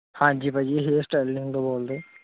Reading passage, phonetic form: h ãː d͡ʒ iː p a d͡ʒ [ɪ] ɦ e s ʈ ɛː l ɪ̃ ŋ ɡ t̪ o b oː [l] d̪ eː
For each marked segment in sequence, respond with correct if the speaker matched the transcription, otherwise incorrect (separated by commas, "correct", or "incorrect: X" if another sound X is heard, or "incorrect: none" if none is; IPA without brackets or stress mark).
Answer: incorrect: i, correct